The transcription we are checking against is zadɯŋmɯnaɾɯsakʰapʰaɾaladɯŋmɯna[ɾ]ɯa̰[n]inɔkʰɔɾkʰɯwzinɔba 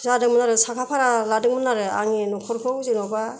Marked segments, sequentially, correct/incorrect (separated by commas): correct, incorrect